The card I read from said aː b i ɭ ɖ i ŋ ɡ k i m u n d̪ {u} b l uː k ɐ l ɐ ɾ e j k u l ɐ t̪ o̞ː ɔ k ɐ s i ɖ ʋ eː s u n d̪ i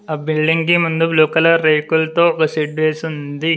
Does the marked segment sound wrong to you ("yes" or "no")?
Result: no